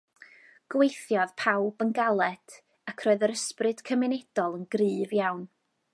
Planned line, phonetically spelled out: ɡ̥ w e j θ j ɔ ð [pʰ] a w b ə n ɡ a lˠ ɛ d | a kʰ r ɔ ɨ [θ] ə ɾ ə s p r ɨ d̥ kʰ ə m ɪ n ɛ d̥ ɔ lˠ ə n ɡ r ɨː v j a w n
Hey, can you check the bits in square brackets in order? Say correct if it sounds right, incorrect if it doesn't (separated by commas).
correct, incorrect